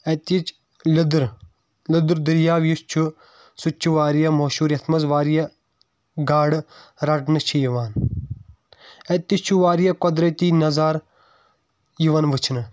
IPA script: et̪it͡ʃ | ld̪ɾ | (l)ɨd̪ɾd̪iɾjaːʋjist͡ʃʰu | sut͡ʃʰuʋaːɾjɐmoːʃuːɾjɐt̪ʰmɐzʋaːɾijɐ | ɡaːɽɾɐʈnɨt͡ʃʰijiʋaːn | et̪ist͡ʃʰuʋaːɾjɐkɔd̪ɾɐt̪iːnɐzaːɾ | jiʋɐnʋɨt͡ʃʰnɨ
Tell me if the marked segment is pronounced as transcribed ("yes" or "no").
yes